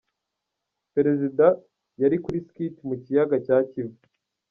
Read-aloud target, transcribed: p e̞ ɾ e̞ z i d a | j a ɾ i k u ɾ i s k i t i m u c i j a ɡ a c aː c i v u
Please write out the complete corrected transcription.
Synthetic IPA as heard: p e̞ ɾ e̞ z i d a | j a ɾ i k u ɾ i s k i t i m u c i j a ɡ a c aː c i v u